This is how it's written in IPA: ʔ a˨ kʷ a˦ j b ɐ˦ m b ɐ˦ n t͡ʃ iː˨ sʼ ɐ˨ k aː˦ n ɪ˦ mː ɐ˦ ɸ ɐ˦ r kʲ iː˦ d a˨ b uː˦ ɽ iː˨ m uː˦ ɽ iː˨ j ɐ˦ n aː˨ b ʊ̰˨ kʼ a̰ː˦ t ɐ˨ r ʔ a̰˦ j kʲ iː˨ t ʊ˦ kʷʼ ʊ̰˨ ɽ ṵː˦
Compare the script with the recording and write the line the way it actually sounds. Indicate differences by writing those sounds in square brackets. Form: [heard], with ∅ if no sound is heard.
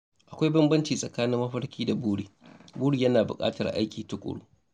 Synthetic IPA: ʔ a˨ kʷ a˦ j b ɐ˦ m b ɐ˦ n t͡ʃ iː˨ sʼ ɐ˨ k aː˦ n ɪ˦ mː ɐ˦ ɸ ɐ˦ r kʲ iː˦ d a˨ b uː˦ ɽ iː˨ [b] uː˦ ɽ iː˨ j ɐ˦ n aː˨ b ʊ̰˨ kʼ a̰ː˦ t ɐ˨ r ʔ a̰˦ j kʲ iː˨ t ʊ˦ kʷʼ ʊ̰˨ ɽ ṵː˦